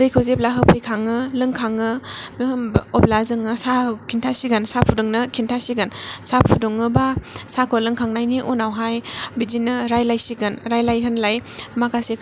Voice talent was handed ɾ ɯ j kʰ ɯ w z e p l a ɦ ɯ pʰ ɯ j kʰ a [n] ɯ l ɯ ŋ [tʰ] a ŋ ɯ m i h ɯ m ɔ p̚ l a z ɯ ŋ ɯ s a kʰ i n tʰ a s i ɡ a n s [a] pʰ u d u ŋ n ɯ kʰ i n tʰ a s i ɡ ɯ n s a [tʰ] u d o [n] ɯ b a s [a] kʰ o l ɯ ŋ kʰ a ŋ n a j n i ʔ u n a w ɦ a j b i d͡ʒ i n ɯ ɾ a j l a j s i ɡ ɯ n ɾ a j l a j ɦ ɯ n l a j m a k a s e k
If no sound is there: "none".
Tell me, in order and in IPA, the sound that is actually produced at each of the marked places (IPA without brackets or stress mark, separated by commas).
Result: ŋ, kʰ, a, pʰ, ŋ, a